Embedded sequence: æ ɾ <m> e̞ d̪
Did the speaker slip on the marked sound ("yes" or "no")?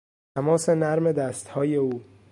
no